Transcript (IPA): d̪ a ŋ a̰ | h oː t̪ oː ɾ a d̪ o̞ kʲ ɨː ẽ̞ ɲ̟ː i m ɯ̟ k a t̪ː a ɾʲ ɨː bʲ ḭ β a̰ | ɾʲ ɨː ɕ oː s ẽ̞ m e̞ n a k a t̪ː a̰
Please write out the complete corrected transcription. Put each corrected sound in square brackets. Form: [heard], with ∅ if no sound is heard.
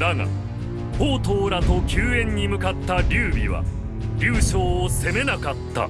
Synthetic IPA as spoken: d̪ a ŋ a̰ | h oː t̪ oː ɾ a [t̪] o̞ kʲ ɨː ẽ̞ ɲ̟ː i m ɯ̟ k a t̪ː a ɾʲ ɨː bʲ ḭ β a̰ | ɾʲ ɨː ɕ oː s [e̞] m e̞ n a k a t̪ː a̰